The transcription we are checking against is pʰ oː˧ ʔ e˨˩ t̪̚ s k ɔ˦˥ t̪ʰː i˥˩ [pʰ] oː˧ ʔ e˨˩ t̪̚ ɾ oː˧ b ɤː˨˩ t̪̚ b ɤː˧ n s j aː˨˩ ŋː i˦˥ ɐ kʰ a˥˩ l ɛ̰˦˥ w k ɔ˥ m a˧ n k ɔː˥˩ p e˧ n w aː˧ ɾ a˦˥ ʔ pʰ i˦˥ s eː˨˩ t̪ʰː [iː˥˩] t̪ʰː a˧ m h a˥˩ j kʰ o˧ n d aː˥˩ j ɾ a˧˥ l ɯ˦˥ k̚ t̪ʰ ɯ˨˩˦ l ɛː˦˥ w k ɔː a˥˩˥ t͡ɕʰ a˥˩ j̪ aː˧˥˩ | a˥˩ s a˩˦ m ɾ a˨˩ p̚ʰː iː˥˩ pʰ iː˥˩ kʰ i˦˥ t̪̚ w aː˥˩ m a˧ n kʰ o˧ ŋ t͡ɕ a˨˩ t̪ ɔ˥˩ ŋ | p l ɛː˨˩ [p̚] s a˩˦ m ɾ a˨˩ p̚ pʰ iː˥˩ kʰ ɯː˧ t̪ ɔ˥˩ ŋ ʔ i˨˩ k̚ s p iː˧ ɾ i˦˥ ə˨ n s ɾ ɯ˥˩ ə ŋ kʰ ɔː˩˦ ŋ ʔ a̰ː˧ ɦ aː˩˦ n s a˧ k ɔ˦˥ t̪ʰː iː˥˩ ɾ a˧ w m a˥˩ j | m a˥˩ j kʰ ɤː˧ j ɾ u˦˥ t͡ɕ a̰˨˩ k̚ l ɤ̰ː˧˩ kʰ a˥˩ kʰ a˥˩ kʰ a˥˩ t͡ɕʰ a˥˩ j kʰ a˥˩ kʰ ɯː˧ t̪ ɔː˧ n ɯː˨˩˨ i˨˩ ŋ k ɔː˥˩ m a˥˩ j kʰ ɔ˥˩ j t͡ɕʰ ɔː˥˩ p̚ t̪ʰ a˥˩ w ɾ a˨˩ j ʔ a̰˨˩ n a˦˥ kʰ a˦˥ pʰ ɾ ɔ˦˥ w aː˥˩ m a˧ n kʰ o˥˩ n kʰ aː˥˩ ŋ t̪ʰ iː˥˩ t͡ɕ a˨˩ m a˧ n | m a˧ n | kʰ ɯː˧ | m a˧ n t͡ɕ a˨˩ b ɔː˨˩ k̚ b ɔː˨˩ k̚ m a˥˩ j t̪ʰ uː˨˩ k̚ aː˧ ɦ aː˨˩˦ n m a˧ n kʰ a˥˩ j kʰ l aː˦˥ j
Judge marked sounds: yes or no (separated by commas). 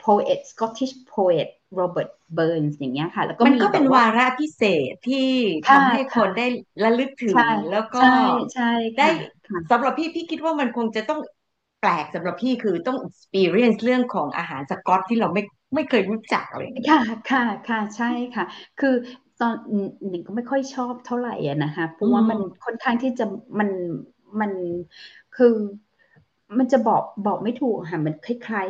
yes, yes, no